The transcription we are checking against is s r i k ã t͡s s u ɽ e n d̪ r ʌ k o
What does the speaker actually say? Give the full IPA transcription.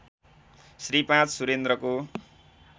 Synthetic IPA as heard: s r i p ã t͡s s u ɾ e n d̪ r ʌ k o